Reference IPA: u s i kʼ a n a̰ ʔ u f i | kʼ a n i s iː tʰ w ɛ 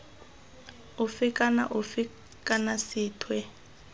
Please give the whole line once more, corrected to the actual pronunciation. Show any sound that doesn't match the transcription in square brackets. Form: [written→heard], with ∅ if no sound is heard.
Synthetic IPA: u [s→f] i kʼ a n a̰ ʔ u f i | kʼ a n [i→a] s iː tʰ w ɛ